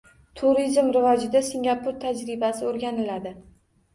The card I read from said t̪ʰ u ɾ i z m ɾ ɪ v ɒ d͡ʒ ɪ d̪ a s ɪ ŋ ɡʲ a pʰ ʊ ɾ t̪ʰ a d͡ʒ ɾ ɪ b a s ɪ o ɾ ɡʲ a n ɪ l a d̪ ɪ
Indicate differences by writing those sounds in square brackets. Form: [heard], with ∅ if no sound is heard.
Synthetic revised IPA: t̪ʰ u ɾ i z m ɾ ɪ v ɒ d͡ʒ ɪ d̪ a s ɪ ŋ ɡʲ a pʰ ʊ ɾ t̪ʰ a d͡ʒ ɾ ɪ b a s ɪ o ɾ ɡʲ a n ɪ l a d̪ ɪ